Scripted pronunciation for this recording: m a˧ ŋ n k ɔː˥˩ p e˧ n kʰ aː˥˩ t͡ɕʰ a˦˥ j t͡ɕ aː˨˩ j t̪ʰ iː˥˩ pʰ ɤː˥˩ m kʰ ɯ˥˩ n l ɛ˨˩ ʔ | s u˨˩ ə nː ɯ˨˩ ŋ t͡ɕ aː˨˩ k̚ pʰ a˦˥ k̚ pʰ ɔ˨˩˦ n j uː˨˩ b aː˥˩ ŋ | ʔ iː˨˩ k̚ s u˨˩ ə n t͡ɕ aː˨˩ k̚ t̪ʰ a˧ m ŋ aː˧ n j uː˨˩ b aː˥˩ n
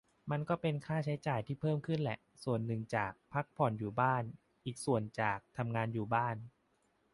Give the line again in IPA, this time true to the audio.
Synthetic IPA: m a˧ n k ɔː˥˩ p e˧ n kʰ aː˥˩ t͡ɕʰ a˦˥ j t͡ɕ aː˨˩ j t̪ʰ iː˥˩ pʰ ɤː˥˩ m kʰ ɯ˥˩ n l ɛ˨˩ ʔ | s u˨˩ ə nː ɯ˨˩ ŋ t͡ɕ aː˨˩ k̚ pʰ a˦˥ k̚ pʰ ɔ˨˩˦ n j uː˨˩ b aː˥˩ n | ʔ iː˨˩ k̚ s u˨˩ ə n t͡ɕ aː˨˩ k̚ t̪ʰ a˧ m ŋ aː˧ n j uː˨˩ b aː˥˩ n

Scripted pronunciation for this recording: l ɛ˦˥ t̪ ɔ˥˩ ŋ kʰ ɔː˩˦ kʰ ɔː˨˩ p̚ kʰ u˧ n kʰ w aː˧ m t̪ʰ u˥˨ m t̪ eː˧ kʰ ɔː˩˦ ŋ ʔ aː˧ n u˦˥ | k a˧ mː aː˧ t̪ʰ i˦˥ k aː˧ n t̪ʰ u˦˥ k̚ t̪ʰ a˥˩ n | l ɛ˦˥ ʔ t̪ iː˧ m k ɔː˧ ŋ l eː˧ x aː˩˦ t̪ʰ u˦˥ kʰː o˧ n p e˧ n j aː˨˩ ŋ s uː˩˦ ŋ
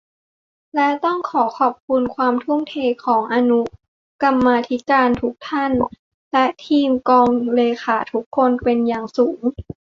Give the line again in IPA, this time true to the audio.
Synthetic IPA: l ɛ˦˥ t̪ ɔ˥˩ ŋ kʰ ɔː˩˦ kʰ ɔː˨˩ p̚ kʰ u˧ n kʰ w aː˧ m t̪ʰ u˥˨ m t̪ʰ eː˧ kʰ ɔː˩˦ ŋ ʔ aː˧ n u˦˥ | k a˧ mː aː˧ t̪ʰ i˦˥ k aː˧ n t̪ʰ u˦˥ k̚ t̪ʰ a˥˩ n | l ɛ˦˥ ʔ t̪ʰ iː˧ m k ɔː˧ ŋ l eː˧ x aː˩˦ t̪ʰ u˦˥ kʰː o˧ n p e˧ n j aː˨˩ ŋ s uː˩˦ ŋ

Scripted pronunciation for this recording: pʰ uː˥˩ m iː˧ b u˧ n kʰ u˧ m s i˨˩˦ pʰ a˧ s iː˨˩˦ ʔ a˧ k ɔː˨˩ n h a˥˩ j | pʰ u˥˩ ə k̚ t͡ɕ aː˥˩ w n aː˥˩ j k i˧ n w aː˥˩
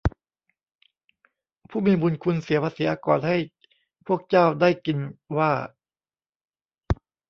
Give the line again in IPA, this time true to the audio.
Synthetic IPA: pʰ uː˥˩ m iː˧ b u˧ n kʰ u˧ n s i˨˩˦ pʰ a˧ s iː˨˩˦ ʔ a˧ k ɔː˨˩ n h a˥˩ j | pʰ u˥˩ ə k̚ t͡ɕ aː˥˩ w d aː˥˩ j k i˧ n w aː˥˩

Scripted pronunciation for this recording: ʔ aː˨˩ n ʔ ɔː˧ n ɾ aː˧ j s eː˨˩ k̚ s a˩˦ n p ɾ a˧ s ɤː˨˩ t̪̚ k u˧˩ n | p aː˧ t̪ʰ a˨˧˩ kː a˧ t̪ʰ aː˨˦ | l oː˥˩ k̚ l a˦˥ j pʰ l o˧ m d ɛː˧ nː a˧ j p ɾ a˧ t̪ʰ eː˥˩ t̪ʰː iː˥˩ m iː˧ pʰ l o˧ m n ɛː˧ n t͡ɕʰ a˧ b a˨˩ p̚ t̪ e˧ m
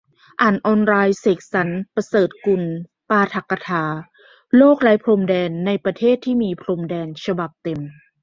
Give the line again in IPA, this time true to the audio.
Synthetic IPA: ʔ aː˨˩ n ʔ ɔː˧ n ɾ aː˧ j s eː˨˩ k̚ s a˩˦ n p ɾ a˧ s ɤː˨˩ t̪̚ k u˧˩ n | p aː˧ t̪ʰ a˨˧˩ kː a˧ t̪ʰ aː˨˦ | l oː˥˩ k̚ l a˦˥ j pʰ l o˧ m d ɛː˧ nː a˧ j p ɾ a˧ t̪ʰ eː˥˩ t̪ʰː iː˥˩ m iː˧ pʰ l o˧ m d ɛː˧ n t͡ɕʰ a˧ b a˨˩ p̚ t̪ e˧ m

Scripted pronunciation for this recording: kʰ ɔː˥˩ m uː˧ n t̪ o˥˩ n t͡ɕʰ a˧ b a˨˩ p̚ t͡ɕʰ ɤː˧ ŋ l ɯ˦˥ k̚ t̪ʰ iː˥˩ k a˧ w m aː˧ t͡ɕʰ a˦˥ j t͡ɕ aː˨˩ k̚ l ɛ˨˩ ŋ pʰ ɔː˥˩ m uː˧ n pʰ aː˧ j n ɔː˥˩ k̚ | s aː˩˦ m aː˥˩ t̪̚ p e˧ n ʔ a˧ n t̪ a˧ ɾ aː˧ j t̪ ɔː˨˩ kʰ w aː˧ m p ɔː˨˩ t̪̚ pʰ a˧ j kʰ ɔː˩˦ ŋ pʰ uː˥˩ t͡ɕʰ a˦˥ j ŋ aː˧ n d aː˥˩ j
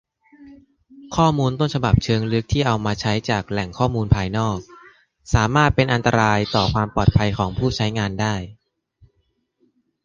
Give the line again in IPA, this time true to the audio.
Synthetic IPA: kʰ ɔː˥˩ m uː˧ n t̪ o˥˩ n t͡ɕʰ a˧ b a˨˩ p̚ t͡ɕʰ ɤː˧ ŋ l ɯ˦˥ k̚ t̪ʰ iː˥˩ ʔ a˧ w m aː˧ t͡ɕʰ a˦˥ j t͡ɕ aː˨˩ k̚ l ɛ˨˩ ŋ kʰ ɔː˥˩ m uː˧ n pʰ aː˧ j n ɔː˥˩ k̚ | s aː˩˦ m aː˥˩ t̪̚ p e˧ n ʔ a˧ n t̪ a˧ ɾ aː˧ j t̪ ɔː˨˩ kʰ w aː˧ m p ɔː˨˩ t̪̚ pʰ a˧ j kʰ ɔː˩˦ ŋ pʰ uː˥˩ t͡ɕʰ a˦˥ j ŋ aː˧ n d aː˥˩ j

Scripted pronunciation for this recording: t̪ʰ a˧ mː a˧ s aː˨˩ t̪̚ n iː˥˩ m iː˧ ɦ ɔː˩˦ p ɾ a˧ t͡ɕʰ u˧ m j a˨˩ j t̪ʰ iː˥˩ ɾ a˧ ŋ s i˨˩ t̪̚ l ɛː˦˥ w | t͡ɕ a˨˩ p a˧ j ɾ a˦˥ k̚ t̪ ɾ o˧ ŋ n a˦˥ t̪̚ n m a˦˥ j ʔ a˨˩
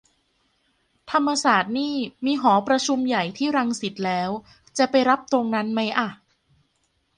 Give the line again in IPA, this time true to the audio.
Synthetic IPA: t̪ʰ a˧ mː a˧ s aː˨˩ t̪̚ n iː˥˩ m iː˧ ɦ ɔː˩˦ p ɾ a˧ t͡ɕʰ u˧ m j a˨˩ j t̪ʰ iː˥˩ ɾ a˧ ŋ s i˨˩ t̪̚ l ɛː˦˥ w | t͡ɕ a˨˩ p a˧ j ɾ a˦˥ p̚ t̪ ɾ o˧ ŋ n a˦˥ n m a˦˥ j ʔ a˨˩

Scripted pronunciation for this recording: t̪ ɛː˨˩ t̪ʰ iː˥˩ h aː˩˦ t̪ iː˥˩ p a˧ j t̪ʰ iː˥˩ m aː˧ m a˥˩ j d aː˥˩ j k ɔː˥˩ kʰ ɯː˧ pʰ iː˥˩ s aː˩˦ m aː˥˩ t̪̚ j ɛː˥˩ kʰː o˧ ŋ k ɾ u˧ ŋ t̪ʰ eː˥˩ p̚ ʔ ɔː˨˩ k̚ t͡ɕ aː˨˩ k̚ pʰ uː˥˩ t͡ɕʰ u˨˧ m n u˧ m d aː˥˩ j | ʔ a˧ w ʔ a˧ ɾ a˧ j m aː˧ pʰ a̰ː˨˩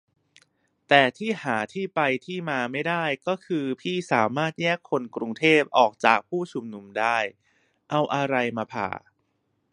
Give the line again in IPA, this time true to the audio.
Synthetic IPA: t̪ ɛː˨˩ t̪ʰ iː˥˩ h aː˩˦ t̪ʰ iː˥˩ p a˧ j t̪ʰ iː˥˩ m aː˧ m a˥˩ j d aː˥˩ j k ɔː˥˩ kʰ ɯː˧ pʰ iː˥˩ s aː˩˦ m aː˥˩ t̪̚ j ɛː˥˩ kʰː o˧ n k ɾ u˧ ŋ t̪ʰ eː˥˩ p̚ ʔ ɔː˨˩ k̚ t͡ɕ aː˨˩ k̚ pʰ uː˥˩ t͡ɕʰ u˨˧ m n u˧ m d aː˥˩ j | ʔ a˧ w ʔ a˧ ɾ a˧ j m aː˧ pʰ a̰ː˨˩

